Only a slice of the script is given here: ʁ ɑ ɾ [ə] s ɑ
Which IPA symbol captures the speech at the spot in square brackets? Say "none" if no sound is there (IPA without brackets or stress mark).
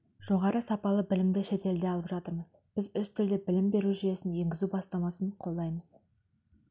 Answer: ə